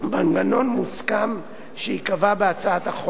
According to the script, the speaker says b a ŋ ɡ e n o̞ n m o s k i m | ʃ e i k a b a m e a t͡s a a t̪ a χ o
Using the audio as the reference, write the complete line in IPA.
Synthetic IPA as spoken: b a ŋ ɡ a n o̞ n m u s k a m | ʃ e i k a v a b e a t͡s a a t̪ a χ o